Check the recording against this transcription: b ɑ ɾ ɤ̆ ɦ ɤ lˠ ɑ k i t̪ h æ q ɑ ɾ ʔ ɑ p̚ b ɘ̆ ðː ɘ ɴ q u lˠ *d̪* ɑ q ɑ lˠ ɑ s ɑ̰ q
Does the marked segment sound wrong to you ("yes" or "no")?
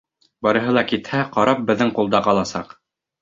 no